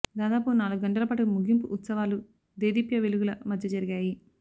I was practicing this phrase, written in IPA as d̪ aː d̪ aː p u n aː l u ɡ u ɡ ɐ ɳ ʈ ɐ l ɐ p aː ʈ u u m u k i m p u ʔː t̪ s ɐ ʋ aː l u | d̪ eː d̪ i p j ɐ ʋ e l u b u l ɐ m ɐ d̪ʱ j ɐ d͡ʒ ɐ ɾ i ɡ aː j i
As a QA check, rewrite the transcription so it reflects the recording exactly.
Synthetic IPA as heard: d̪ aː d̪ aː p u n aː l u ɡ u ɡ ɐ ɳ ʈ ɐ l ɐ p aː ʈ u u m u ɡ i m p u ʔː t̪ s ɐ ʋ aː l u | d̪ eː d̪ i p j ɐ ʋ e l u ɡ u l ɐ m ɐ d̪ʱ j ɐ d͡ʒ ɐ ɾ i ɡ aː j i